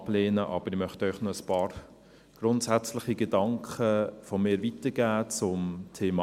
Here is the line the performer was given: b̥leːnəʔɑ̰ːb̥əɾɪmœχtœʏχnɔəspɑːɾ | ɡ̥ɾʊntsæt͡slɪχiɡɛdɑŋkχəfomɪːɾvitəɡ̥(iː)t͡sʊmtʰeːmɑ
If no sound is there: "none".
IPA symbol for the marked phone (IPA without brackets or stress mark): æː